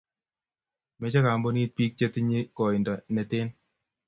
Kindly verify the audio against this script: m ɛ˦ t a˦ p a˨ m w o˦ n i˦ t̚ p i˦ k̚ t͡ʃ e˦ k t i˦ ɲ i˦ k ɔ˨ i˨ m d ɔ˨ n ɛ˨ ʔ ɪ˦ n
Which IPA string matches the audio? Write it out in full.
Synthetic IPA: m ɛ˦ t͡ʃ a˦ k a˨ m b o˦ n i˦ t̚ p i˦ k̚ t͡ʃ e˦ t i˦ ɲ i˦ k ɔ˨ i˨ n d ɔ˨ n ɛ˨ t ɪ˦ n